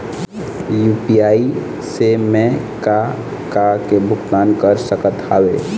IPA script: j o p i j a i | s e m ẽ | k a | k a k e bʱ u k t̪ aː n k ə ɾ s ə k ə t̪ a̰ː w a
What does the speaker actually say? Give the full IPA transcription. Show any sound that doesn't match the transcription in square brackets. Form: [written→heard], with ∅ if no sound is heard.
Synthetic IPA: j [o→u] p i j a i | s e m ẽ | k a | k a k e bʱ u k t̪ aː n k ə ɾ s ə k ə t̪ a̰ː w [a→e]